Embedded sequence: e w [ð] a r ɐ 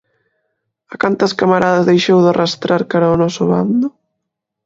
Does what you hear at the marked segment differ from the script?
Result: no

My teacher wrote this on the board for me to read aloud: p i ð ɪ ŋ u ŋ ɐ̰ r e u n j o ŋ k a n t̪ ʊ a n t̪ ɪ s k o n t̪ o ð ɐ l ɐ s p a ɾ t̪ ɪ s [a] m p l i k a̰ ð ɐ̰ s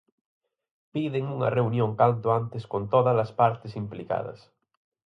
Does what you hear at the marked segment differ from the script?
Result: yes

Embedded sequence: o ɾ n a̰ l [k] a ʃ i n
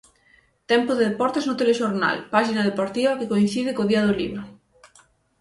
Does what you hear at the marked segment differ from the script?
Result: yes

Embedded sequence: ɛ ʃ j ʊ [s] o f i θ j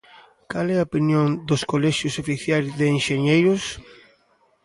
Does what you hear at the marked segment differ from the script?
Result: no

